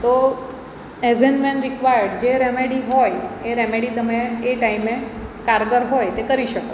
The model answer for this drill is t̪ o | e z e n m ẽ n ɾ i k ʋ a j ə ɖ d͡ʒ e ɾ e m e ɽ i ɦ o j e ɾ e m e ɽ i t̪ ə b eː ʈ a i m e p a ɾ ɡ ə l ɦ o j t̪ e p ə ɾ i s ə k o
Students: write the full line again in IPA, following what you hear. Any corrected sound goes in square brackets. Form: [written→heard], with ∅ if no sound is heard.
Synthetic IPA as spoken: t̪ o | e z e n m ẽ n ɾ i k ʋ a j ə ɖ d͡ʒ e ɾ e m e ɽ i ɦ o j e ɾ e m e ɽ i t̪ ə [b→m] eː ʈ a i m e [p→k] a ɾ ɡ ə [l→ɾ] ɦ o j t̪ e [p→k] ə ɾ i [s→ʃ] ə k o